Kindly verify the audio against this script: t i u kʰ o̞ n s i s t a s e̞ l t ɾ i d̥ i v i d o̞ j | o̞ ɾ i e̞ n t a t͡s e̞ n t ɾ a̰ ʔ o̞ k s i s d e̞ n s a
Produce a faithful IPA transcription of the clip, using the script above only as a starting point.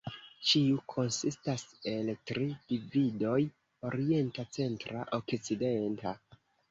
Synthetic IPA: t͡ʃ i u kʰ o̞ n s i s t a s e̞ l t ɾ i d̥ i v i d o̞ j | o̞ ɾ i e̞ n t a t͡s e̞ n t ɾ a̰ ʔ o̞ k t͡s i d e̞ n t a